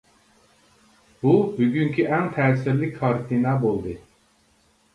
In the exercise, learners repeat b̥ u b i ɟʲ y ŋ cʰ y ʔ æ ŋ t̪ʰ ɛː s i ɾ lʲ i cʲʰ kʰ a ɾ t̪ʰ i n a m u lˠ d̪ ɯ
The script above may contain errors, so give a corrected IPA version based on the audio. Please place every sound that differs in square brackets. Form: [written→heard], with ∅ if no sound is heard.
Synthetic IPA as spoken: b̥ u b [i→y] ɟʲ y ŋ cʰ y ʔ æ [ŋ→n] t̪ʰ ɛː s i ɾ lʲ i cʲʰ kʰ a ɾ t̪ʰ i n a [m→b] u lˠ d̪ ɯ